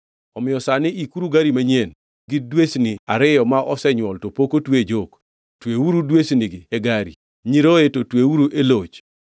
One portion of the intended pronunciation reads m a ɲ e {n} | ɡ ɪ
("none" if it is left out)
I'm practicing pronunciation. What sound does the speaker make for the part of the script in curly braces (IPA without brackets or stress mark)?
n